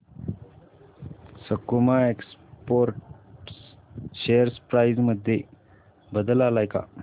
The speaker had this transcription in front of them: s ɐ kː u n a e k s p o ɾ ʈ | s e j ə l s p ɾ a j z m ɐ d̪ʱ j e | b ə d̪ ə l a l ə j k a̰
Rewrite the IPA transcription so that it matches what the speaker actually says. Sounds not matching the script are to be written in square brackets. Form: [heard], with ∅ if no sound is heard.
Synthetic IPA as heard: s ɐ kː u [m] a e k s p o ɾ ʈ | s e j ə [ɾ] s p ɾ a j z m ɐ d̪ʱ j e | b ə d̪ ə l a l [a] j k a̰